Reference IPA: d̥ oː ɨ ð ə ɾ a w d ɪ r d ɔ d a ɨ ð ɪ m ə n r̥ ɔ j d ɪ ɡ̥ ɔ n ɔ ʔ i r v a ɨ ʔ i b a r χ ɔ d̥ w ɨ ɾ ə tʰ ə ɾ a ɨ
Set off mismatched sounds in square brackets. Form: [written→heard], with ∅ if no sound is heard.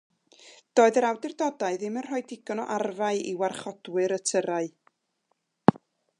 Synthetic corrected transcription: d̥ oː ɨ ð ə ɾ a w d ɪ r d ɔ d a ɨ ð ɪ m ə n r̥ ɔ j d ɪ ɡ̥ ɔ n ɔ ʔ [i→a] r v a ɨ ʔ i [b→w] a r χ ɔ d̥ w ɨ ɾ ə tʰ ə ɾ a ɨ